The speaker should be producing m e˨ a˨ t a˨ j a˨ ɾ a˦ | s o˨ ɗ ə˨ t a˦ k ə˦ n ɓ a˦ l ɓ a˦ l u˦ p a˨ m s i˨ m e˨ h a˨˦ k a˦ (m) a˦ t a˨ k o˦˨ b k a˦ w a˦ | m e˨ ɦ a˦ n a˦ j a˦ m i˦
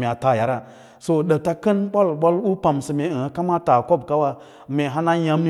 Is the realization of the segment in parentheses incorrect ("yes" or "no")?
no